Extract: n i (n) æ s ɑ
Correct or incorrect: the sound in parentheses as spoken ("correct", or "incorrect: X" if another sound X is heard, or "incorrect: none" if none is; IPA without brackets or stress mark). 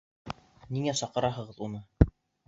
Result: incorrect: ŋ